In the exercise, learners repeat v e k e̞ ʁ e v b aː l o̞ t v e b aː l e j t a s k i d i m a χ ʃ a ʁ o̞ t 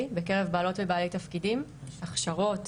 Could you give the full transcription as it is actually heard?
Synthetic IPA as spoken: b e k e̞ ʁ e v b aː l o̞ t v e b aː l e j t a f k i d i m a χ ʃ a ʁ o̞ t